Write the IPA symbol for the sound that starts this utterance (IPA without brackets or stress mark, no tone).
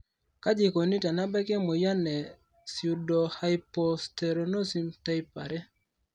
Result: k